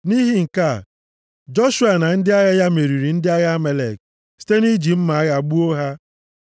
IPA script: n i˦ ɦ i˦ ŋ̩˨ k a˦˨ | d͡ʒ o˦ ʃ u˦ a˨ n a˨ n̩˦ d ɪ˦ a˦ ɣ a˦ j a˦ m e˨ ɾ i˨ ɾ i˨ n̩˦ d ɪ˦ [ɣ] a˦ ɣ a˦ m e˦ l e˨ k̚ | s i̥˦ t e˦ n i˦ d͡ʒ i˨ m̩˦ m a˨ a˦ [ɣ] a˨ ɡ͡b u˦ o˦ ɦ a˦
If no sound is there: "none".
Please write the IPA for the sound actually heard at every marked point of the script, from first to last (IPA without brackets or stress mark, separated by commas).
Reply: none, ɣ